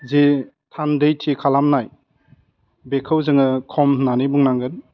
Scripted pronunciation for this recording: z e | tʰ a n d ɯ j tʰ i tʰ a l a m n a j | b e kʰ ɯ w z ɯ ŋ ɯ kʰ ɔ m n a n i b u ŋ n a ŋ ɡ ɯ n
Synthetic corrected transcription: z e | tʰ a n d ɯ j tʰ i kʰ a l a m n a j | b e kʰ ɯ w z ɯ ŋ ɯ kʰ ɔ m n a n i b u ŋ n a ŋ ɡ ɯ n